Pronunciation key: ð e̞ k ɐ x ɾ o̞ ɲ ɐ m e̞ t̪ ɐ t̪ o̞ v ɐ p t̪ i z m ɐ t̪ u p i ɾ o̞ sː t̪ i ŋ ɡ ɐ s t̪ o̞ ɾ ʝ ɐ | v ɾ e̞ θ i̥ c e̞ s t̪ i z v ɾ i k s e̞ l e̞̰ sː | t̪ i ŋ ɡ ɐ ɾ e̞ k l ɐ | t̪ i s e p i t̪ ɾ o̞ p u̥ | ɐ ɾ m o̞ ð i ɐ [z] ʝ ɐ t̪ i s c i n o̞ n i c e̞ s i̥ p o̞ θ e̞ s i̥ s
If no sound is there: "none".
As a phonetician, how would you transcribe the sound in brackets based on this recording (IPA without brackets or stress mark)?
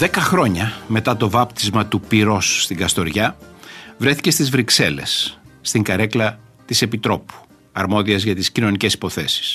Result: z